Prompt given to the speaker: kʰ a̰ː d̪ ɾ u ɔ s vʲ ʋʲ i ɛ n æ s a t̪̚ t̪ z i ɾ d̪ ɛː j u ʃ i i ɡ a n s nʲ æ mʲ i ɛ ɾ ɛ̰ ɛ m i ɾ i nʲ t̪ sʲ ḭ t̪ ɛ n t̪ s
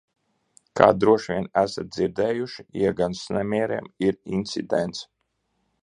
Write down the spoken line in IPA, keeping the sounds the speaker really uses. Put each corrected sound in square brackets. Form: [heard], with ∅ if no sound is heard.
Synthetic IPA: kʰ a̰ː d̪ ɾ u ɔ [ʃ] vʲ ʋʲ i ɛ n æ s a t̪̚ [d̪] z i ɾ d̪ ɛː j u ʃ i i ɡ a n s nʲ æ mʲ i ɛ ɾ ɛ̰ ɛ m i ɾ i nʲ t̪ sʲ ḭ [d̪] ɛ n t̪ s